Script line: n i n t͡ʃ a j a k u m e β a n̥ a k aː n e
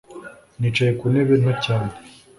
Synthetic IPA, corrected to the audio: n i t͡ʃ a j e k u n e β e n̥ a c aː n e